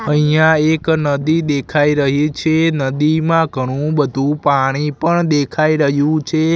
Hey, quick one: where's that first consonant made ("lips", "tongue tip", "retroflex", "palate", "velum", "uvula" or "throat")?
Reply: throat